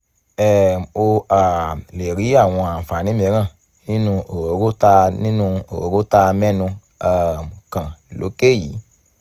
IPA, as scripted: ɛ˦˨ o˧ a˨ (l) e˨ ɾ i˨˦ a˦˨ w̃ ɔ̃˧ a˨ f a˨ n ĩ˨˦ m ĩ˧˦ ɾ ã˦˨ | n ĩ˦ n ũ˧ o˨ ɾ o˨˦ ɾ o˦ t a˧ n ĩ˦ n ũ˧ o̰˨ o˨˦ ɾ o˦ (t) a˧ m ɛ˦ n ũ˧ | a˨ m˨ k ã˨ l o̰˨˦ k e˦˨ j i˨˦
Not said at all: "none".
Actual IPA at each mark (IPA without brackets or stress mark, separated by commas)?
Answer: l, t